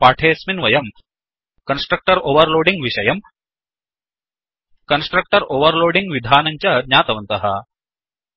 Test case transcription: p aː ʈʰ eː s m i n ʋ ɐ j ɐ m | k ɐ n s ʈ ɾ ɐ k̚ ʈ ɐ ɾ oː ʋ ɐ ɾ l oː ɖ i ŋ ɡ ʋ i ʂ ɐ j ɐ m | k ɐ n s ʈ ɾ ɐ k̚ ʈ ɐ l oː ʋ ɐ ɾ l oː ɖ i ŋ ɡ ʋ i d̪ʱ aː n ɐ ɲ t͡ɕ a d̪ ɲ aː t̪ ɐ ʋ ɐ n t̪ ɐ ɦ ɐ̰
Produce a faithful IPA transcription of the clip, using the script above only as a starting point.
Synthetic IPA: p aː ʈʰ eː s m i n ʋ ɐ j ɐ m | k ɐ n s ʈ ɾ ɐ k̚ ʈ ɐ ɾ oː ʋ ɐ ɾ l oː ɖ i ŋ ɡ ʋ i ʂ ɐ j ɐ m | k ɐ n s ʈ ɾ ɐ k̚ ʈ ɐ ɾ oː ʋ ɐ ɾ l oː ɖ i ŋ ɡ ʋ i d̪ʱ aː n ɐ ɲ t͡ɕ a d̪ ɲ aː t̪ ɐ ʋ ɐ n t̪ ɐ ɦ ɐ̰